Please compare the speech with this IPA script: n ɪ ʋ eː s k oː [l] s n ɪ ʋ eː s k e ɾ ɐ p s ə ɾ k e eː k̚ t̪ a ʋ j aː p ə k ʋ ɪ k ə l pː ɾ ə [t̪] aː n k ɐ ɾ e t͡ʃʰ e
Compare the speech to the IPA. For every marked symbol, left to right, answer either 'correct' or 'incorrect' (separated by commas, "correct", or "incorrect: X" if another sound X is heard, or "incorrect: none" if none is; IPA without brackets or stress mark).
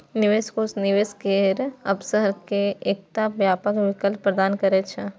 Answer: incorrect: none, incorrect: d̪